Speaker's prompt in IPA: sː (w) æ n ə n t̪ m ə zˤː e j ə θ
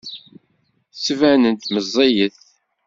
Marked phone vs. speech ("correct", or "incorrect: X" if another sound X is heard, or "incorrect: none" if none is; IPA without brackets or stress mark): incorrect: v